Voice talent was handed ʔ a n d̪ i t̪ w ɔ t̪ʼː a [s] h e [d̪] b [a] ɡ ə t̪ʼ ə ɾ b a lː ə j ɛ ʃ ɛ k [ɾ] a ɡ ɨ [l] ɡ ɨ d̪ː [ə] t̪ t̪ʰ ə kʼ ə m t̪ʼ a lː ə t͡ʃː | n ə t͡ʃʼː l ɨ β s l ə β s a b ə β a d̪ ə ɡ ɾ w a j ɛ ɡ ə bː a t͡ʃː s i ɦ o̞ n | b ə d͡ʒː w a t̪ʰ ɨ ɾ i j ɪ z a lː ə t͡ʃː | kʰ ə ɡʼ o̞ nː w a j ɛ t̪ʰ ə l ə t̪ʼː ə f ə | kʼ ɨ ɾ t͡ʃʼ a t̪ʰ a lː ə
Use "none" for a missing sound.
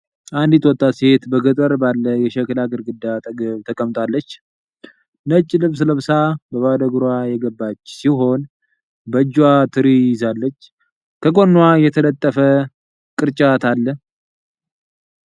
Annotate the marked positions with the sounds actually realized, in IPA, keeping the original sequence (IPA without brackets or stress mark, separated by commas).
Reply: s, t̪, ə, l, ɾ, a